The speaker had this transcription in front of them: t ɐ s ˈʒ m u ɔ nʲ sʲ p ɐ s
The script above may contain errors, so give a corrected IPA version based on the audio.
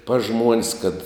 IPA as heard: p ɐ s ˈʒ m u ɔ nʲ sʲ k ɐ t